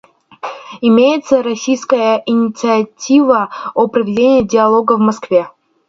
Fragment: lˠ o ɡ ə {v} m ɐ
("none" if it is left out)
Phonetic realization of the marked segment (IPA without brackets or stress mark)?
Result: v